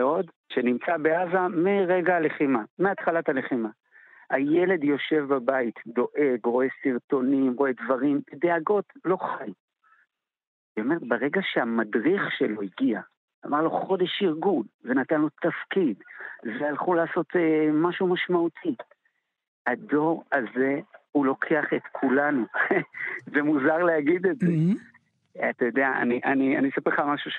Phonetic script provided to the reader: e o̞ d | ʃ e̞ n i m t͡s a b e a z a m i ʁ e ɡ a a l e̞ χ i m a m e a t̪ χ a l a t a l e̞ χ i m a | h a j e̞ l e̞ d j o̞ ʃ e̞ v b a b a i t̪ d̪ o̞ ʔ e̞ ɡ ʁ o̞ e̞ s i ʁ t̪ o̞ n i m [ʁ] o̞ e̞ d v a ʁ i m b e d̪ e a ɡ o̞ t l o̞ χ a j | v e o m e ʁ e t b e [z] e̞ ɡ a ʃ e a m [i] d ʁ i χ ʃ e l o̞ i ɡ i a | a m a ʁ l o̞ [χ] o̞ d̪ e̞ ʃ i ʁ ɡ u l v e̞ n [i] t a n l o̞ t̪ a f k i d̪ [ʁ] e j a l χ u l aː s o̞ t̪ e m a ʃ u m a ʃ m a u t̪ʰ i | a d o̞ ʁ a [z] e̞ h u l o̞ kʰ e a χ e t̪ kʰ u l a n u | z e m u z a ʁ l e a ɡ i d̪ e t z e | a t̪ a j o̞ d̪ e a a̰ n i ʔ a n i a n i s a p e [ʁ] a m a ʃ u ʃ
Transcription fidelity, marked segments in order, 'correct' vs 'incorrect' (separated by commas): correct, incorrect, incorrect, correct, incorrect, incorrect, correct, incorrect